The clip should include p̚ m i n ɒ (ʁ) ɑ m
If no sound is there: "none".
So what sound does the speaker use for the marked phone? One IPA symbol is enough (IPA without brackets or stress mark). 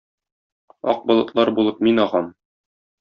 ʁ